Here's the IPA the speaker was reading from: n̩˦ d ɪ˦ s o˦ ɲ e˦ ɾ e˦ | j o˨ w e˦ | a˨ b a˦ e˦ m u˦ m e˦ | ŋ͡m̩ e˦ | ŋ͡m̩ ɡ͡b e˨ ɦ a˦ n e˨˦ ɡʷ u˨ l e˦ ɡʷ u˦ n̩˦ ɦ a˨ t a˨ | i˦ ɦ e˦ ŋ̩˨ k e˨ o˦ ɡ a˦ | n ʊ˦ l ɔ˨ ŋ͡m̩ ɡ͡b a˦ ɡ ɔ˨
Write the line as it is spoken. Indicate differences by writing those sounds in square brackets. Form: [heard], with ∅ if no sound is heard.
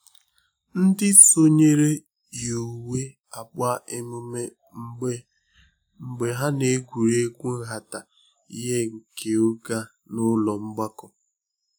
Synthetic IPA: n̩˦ d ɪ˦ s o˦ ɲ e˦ ɾ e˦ | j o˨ w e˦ | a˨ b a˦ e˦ m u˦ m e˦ | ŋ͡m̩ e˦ | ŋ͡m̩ ɡ͡b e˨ ɦ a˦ n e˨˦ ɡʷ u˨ [ɾ] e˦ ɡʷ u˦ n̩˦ ɦ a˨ t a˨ | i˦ ɦ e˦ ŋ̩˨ k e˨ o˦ ɡ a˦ | n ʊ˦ l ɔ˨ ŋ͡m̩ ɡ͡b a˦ [k] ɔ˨